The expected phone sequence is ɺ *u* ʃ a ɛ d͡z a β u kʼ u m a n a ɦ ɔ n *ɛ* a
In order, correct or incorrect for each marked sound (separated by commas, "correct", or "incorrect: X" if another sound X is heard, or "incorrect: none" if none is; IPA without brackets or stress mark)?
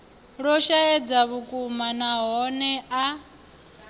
incorrect: ɔ, correct